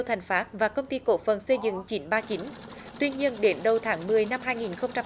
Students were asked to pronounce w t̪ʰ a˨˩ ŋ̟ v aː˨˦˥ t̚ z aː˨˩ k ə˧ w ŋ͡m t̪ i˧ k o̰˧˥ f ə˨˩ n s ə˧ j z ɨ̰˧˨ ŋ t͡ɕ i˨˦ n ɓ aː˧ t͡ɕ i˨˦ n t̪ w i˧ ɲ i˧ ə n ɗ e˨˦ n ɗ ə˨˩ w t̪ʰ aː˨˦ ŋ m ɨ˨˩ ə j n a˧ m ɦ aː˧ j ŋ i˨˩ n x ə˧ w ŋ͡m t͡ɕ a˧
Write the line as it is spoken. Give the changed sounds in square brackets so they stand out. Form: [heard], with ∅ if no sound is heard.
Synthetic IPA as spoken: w t̪ʰ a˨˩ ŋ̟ [f] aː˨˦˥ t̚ [v] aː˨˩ k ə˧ w ŋ͡m t̪ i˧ k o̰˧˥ f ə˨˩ n s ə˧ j z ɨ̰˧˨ ŋ t͡ɕ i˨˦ n ɓ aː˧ t͡ɕ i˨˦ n t̪ w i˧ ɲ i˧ ə n ɗ e˨˦ n ɗ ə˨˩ w t̪ʰ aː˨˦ ŋ m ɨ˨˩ ə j n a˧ m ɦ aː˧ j ŋ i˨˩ n x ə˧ w ŋ͡m t͡ɕ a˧